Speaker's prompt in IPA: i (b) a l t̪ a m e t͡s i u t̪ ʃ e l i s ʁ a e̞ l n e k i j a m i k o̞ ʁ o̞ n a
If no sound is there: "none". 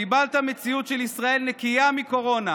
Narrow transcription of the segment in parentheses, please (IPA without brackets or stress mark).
b